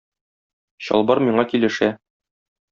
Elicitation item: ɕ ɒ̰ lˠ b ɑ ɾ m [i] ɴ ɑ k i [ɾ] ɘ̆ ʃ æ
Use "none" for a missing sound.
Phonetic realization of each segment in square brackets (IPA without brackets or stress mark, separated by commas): i, l